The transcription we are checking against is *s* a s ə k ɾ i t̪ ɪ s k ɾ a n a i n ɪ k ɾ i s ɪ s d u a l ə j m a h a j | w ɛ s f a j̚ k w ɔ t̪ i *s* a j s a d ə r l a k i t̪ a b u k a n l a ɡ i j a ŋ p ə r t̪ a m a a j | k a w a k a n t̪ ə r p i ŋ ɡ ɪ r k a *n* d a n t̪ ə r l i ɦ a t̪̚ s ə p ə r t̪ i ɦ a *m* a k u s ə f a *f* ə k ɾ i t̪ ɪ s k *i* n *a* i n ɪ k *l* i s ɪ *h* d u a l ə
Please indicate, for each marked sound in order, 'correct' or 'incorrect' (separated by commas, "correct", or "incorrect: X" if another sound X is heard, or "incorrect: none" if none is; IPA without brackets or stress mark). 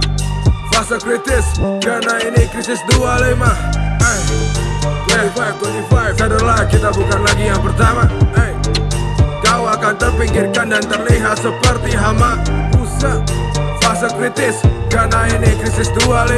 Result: incorrect: f, incorrect: f, correct, correct, incorrect: s, incorrect: a, correct, incorrect: ɾ, incorrect: s